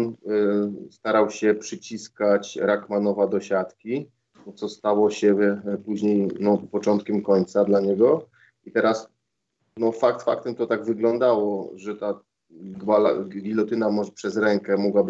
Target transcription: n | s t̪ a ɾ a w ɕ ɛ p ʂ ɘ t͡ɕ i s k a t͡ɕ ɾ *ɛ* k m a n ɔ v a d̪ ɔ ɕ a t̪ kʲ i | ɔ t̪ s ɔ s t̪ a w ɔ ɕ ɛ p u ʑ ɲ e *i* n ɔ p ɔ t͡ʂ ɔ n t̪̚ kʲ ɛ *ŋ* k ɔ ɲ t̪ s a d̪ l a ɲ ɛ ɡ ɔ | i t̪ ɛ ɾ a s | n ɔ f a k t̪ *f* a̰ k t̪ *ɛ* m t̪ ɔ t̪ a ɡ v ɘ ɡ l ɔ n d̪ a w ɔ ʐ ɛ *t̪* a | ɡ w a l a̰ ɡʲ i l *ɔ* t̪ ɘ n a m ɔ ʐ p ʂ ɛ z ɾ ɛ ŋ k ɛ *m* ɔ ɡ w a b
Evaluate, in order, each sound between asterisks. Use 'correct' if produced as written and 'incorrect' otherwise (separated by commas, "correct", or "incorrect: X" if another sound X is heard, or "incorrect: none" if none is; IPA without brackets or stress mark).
incorrect: a, incorrect: j, incorrect: m, correct, correct, correct, correct, correct